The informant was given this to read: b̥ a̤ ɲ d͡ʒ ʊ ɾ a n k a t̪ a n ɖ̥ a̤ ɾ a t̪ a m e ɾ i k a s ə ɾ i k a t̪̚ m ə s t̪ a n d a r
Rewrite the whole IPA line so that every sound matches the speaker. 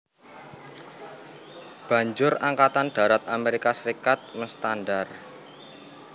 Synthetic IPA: b̥ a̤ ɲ d͡ʒ ʊ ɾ a ŋ k a t̪ a n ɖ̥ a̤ ɾ a t̪ a m e ɾ i k a s ə ɾ i k a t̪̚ m ə s t̪ a n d a r